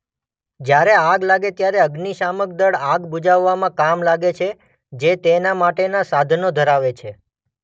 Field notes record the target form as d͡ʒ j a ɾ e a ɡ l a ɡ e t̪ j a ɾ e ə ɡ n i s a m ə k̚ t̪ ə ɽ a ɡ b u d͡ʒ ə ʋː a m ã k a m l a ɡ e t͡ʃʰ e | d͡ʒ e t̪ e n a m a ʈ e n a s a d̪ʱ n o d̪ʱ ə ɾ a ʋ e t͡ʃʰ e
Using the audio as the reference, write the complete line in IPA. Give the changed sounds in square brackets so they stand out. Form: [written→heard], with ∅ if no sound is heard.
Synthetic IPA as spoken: d͡ʒ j a ɾ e a ɡ l a ɡ e t̪ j a ɾ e ə ɡ n i [s→ʃ] a m ə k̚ [t̪→d̪] ə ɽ a ɡ b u d͡ʒ [ə→a] ʋː a m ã k a m l a ɡ e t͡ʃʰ e | d͡ʒ e t̪ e n a m a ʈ e n a s a d̪ʱ n o d̪ʱ ə ɾ a ʋ e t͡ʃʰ e